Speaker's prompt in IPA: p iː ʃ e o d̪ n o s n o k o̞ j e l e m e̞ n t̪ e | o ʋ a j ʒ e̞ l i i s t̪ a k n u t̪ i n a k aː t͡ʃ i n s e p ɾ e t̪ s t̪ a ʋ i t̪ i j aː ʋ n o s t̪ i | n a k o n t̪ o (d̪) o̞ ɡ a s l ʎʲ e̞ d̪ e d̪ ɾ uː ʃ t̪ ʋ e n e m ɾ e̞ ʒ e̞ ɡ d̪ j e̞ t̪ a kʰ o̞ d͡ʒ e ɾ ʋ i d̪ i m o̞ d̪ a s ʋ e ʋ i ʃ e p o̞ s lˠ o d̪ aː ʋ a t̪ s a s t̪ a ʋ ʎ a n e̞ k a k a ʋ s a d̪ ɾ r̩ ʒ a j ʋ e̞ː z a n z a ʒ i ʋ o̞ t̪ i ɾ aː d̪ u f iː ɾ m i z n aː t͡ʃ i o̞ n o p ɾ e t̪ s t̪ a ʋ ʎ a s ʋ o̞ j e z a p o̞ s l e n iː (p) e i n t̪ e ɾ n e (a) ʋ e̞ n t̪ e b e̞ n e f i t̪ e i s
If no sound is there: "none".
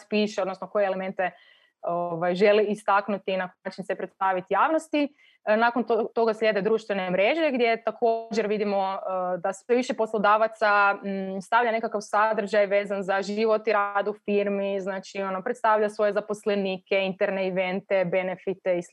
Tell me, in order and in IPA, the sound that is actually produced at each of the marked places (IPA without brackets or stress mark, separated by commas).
t̪, k, i